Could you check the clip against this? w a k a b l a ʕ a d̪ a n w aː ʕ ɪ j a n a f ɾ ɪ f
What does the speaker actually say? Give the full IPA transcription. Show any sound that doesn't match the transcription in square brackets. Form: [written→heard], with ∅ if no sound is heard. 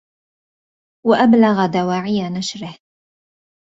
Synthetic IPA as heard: w a [k→ʔ] a b l a [ʕ→ɣ] a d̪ a [n→∅] w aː ʕ ɪ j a n a [f→ʃ] ɾ ɪ [f→h]